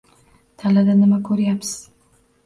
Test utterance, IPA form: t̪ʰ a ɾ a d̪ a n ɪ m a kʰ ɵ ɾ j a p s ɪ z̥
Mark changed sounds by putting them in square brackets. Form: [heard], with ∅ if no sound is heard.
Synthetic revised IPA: t̪ʰ a [l] a d̪ a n ɪ m a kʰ ɵ ɾ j a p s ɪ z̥

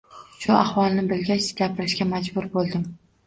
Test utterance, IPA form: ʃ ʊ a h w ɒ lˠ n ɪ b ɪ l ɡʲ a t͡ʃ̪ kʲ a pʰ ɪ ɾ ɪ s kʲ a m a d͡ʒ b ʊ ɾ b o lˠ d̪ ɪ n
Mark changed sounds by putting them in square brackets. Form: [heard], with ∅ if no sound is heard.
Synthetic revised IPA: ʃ ʊ a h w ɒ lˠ n ɪ b ɪ l ɡʲ a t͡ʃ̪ [ɡʲ] a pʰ ɪ ɾ ɪ [ʃ] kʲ a m a d͡ʒ b ʊ ɾ b o lˠ d̪ ɪ [m]

